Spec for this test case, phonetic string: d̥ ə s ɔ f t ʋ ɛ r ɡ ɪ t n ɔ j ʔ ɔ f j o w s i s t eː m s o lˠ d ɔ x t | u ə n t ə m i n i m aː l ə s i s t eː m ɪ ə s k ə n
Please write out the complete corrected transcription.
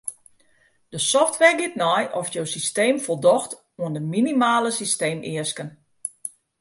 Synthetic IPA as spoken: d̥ ə s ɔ f t ʋ ɛ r ɡ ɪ t n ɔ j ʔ ɔ f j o w s i s t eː m f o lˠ d ɔ x t | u ə n d ə m i n i m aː l ə s i s t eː m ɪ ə s k ə n